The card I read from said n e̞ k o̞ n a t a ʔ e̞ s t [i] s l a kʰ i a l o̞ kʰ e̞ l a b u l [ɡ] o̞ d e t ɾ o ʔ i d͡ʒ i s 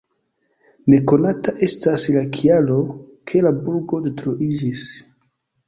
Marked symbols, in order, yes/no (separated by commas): no, yes